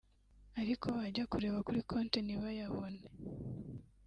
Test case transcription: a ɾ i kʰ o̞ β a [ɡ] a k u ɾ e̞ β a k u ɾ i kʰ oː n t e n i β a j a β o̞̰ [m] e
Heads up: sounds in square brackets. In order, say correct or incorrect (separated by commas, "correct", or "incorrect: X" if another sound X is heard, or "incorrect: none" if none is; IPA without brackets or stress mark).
incorrect: ɟ, incorrect: n